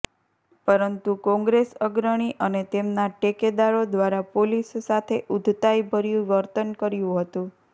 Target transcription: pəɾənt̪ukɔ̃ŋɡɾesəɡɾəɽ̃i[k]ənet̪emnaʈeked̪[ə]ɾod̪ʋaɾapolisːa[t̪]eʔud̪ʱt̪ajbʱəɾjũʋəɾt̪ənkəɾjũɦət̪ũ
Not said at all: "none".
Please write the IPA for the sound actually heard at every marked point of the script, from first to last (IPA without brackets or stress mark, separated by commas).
ʔ, a, t̪ʰ